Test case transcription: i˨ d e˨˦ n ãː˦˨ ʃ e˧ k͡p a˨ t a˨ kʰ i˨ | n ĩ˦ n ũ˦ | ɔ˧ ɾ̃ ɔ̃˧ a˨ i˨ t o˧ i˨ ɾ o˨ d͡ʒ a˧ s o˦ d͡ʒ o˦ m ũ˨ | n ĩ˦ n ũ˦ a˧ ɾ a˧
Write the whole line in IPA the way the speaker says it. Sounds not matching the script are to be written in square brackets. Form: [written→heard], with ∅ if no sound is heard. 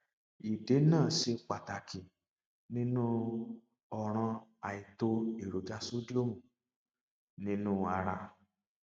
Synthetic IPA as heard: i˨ d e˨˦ n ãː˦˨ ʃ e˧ k͡p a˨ t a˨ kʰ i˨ | n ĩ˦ n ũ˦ | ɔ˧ ɾ̃ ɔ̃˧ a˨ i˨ t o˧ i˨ ɾ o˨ d͡ʒ a˧ s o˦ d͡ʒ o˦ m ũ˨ | n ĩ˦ n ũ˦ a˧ ɾ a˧

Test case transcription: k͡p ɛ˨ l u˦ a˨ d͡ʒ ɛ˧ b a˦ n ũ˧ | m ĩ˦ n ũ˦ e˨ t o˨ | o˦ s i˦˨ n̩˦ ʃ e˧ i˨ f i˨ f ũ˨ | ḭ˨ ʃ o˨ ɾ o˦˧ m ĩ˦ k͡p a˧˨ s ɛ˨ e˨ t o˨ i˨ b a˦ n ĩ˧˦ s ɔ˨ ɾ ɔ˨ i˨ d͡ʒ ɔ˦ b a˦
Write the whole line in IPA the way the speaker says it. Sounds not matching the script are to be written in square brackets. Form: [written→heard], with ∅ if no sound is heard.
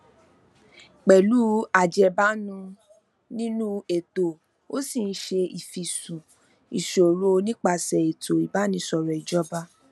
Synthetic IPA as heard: k͡p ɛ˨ l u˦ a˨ d͡ʒ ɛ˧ b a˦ n ũ˧ | [m→n] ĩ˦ n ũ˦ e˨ t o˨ | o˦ s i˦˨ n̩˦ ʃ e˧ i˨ f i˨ [f→s] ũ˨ | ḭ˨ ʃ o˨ ɾ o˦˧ [m→n] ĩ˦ k͡p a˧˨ s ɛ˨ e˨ t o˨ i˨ b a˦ n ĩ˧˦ s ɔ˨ ɾ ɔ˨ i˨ d͡ʒ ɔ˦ b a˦

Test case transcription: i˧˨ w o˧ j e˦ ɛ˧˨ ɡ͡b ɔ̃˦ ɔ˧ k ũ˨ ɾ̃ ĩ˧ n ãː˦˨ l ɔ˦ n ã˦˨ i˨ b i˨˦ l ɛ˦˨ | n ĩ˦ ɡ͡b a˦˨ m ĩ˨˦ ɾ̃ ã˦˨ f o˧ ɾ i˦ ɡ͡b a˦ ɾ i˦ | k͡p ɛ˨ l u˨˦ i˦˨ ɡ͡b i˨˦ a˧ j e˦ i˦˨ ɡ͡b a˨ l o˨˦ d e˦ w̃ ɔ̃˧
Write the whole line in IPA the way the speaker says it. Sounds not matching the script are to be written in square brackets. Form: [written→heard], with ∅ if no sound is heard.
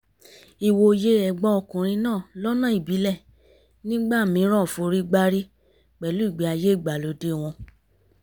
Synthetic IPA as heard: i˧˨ w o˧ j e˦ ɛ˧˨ ɡ͡b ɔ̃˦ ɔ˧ k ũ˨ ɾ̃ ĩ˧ n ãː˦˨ l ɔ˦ n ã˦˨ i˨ b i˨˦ l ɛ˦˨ | n ĩ˦ ɡ͡b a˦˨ m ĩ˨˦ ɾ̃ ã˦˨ f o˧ ɾ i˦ ɡ͡b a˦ ɾ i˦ | k͡p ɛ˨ l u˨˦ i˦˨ ɡ͡b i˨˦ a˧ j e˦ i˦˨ ɡ͡b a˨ l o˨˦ d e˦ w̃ ɔ̃˧

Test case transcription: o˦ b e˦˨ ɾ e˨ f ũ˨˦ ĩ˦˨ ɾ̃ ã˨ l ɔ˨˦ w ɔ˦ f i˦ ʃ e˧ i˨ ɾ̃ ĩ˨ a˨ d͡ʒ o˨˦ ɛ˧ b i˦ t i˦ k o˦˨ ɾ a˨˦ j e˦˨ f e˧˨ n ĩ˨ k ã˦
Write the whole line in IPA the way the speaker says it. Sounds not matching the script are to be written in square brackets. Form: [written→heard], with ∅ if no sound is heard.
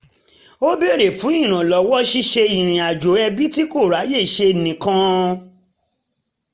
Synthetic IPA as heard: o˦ b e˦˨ ɾ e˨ f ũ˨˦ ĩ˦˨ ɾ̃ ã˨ l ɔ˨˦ w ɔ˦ [f→ʃ] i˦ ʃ e˧ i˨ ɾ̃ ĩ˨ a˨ d͡ʒ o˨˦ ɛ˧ b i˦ t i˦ k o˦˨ ɾ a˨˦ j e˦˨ [f→ʃ] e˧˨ n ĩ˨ k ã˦

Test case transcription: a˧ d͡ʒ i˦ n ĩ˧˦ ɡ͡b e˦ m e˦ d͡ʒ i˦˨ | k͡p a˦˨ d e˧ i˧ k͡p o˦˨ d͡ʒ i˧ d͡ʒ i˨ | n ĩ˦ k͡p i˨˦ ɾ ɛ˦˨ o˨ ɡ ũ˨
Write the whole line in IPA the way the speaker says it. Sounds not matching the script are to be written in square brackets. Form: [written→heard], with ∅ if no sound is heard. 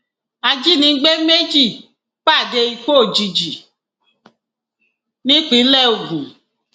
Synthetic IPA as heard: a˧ d͡ʒ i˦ n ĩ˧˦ ɡ͡b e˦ m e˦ d͡ʒ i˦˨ | k͡p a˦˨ d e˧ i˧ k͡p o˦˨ d͡ʒ i˧ d͡ʒ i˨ | n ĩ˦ k͡p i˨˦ [ɾ→l] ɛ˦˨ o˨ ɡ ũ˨

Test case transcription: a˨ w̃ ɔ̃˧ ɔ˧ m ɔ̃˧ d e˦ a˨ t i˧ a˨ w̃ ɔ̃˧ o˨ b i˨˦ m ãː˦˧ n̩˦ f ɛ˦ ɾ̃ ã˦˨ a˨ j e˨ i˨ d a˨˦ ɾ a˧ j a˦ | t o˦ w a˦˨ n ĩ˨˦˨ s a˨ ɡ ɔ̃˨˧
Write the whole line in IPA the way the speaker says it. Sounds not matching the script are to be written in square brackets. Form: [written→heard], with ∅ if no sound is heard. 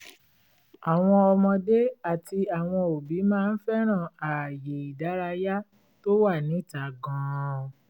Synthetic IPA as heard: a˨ w̃ ɔ̃˧ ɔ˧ m ɔ̃˧ d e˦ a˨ t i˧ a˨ w̃ ɔ̃˧ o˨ b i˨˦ m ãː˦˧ n̩˦ f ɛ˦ ɾ̃ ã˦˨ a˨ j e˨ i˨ d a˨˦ ɾ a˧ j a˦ | t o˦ w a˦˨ n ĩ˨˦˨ [s→t] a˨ ɡ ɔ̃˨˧

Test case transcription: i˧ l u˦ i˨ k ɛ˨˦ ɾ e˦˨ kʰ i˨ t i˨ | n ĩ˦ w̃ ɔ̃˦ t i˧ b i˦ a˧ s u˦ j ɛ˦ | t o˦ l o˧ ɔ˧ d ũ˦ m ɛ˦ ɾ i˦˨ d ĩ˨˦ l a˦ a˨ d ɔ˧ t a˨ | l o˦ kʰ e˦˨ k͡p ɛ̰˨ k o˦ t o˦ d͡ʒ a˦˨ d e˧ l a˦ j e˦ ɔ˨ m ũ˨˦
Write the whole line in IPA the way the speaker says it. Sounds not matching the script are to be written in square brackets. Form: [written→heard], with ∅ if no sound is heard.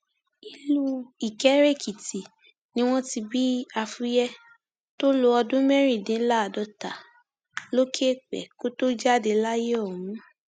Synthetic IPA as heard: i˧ l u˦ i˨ k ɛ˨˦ ɾ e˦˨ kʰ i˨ t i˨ | n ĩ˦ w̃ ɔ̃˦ t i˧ b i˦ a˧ [s→f] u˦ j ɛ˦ | t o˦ l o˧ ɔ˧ d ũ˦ m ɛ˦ ɾ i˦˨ d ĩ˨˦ l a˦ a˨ d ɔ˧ t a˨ | l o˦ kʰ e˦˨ k͡p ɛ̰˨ k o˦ t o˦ d͡ʒ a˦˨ d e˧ l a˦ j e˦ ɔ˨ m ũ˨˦

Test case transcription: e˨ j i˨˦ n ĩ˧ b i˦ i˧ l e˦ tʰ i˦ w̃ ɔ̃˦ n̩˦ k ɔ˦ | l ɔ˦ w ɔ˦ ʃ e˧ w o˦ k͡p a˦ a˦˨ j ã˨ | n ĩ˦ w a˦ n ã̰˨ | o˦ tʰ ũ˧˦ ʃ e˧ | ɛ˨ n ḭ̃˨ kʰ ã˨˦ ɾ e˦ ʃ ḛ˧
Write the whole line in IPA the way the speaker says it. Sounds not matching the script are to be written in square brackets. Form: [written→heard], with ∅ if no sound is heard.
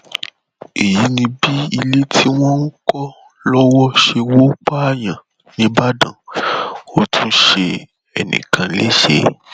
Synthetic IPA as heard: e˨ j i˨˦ n ĩ˧ b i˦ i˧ l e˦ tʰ i˦ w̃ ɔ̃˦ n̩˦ k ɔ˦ | l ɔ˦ w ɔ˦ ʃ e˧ w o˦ k͡p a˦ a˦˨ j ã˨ | n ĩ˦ [w→b] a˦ [n→d] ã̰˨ | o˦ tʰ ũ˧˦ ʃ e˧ | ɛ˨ n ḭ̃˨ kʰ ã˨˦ [ɾ→l] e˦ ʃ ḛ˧

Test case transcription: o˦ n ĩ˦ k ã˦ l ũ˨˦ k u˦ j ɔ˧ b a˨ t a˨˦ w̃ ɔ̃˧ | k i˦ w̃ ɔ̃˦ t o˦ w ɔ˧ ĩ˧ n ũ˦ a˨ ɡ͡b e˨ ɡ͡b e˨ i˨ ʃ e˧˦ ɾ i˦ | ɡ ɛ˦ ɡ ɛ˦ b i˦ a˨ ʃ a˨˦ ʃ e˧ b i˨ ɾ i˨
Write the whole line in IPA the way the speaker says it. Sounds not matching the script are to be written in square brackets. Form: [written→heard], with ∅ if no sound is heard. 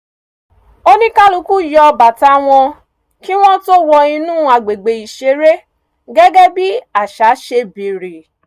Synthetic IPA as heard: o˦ n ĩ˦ k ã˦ l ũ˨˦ k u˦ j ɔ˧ b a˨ t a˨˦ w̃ ɔ̃˧ | k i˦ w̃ ɔ̃˦ t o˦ w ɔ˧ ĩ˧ n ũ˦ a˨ ɡ͡b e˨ ɡ͡b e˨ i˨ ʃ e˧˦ ɾ [i˦→e˦] | ɡ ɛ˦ ɡ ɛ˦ b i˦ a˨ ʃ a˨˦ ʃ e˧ b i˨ ɾ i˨

